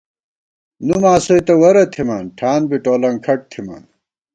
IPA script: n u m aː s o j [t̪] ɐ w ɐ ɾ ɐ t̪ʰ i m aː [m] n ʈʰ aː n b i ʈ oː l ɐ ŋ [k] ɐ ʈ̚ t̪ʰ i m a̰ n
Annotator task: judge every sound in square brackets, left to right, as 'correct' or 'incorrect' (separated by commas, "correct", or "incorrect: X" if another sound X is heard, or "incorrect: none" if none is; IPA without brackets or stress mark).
correct, incorrect: none, incorrect: kʰ